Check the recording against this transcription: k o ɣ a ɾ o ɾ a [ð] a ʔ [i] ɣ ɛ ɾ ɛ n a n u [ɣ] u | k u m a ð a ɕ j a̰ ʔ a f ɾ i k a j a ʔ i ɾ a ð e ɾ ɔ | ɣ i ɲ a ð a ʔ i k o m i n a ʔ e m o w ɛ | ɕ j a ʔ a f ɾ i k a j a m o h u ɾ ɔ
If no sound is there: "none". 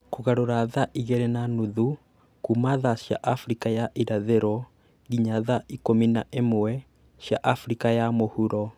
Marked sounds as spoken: ð, i, ð

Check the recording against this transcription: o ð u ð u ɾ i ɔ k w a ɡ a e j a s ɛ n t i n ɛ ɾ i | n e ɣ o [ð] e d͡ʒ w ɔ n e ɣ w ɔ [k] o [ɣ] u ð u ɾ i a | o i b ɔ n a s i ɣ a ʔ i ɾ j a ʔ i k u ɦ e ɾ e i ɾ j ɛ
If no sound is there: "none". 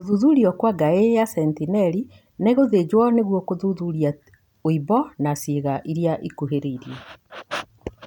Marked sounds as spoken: ð, k, ð

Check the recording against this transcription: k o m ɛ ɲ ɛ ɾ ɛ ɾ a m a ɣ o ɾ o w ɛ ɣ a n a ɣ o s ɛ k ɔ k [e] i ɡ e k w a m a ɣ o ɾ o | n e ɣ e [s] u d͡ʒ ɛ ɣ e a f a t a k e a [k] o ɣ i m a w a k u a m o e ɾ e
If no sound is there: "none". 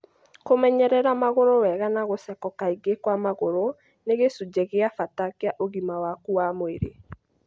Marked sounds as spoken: a, s, ʔ

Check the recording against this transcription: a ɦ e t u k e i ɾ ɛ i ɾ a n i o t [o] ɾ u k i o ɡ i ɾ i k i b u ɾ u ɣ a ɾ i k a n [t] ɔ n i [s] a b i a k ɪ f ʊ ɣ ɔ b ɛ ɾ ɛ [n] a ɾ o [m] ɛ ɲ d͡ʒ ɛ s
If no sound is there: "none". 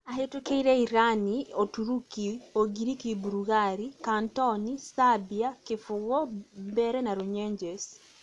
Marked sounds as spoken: u, t, s, n, ɲ

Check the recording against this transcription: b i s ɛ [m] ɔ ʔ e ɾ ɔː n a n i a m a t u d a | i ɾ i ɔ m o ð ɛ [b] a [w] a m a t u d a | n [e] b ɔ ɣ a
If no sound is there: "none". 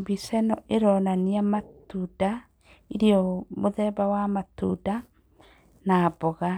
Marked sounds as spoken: n, b, w, a

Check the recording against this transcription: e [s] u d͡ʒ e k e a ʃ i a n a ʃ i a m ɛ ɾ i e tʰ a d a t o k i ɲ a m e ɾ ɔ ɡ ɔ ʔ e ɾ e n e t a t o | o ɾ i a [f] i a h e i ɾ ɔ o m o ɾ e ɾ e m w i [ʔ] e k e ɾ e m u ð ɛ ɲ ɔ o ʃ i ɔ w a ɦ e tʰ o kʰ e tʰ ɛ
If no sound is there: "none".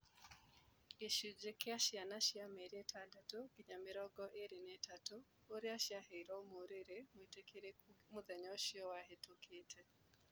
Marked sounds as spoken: ʃ, ʃ, t

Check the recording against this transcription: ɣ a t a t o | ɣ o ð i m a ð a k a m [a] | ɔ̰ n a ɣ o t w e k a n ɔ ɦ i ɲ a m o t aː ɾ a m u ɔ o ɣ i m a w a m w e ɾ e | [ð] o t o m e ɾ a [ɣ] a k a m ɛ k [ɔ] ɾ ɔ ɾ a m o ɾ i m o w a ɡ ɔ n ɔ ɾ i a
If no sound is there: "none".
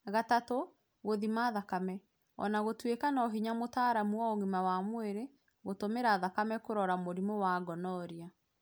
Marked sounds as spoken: ɛ, ɣ, ð, o

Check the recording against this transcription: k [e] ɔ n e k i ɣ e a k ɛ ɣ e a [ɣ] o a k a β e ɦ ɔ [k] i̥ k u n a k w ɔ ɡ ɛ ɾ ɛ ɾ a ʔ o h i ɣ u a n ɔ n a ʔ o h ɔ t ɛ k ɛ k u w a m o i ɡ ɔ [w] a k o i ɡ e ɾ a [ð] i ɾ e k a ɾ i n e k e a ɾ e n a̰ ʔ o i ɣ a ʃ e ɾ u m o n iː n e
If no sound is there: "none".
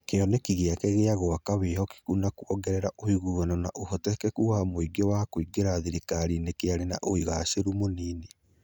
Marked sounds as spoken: e, ɣ, k, w, ð

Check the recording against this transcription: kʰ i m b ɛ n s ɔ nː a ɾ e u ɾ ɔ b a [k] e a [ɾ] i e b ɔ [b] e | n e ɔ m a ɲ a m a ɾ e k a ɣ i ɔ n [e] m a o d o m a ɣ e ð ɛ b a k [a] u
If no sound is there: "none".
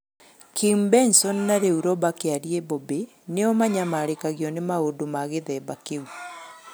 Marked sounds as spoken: k, ɾ, b, e, e

